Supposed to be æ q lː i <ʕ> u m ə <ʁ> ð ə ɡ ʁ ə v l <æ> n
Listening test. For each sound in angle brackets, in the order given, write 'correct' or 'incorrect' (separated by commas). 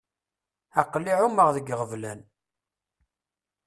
correct, correct, correct